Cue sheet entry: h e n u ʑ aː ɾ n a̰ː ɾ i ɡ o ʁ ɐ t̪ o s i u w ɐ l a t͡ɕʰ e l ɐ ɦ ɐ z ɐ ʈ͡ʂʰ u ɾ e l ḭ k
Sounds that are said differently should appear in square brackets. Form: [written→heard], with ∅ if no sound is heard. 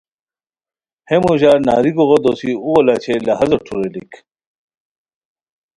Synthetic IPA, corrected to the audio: h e [n→m] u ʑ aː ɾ n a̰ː ɾ i ɡ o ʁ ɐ [t̪→d̪] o s i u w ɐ l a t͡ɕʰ e l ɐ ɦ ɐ z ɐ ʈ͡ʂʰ u ɾ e l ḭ k